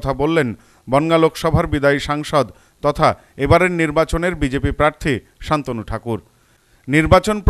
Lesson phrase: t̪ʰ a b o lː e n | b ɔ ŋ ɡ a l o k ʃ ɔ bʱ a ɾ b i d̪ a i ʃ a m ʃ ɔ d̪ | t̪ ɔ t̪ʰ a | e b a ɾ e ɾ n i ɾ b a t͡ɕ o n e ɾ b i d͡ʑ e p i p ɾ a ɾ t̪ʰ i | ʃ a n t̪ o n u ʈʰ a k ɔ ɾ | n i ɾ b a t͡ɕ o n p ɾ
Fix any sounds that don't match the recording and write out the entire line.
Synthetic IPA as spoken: t̪ʰ a b o lː e n | b ɔ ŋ ɡ a l o k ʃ ɔ bʱ a ɾ b i d̪ a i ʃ a ŋ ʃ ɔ d̪ | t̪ ɔ t̪ʰ a | e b a ɾ e ɾ n i ɾ b a t͡ɕ o n e ɾ b i d͡ʑ e p i p ɾ a ɾ t̪ʰ i | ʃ a n t̪ o n u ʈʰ a k u ɾ | n i ɾ b a t͡ɕ o n p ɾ